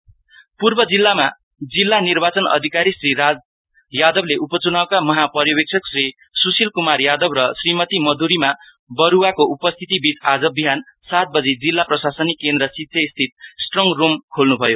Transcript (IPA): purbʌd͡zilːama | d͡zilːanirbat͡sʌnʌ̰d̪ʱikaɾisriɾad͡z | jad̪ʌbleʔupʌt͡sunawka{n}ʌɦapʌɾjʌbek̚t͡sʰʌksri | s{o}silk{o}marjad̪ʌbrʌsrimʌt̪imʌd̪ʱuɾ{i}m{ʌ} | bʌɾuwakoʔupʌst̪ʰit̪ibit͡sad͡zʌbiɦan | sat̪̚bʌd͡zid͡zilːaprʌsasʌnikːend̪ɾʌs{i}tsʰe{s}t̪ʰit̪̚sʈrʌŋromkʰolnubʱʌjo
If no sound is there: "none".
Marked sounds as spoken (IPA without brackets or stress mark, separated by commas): m, u, u, i, a, i, s